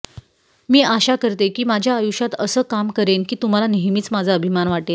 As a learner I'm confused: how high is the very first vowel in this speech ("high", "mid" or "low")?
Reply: high